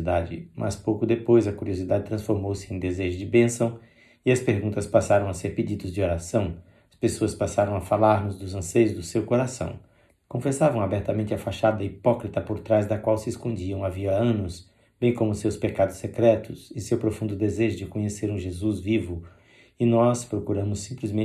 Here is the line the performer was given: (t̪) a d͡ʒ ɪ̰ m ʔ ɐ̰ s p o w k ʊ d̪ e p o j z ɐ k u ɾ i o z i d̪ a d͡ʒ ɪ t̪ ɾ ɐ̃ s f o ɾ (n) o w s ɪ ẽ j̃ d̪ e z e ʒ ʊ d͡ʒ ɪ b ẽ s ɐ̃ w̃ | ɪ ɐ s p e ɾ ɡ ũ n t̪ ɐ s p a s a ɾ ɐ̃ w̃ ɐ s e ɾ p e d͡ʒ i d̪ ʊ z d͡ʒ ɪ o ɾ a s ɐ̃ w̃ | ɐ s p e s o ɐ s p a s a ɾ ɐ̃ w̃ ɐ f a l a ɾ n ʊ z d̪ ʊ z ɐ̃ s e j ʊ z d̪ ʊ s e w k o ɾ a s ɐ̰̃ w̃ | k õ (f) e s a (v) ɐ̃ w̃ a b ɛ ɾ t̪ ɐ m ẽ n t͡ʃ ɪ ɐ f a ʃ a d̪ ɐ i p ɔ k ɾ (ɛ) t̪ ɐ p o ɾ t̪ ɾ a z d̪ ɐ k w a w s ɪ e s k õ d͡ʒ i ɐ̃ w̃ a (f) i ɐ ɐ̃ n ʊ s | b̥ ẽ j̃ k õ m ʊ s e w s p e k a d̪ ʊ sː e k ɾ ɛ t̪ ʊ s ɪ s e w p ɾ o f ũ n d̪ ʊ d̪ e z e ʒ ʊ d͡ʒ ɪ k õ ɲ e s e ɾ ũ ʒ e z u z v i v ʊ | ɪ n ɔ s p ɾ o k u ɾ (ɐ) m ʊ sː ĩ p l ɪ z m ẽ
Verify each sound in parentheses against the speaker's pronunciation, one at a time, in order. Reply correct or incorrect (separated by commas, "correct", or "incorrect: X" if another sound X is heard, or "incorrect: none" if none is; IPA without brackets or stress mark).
incorrect: d̪, incorrect: m, correct, correct, incorrect: i, incorrect: v, incorrect: ɐ̃